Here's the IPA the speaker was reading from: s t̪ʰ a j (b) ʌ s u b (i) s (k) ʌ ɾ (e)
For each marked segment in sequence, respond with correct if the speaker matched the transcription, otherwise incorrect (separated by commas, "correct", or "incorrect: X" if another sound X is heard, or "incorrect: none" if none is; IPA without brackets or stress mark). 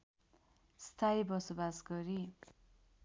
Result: correct, incorrect: a, incorrect: ɡ, incorrect: i